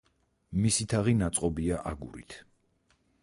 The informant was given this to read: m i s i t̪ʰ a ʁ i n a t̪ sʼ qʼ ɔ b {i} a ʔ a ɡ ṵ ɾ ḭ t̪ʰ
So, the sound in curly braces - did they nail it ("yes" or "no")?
yes